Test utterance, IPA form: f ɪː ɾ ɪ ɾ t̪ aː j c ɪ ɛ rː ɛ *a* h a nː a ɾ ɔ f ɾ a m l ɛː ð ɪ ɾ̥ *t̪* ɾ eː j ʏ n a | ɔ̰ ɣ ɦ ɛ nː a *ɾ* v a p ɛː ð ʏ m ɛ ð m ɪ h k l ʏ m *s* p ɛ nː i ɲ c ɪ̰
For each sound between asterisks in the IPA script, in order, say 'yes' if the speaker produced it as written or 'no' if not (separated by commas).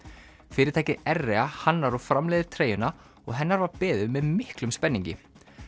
yes, no, yes, yes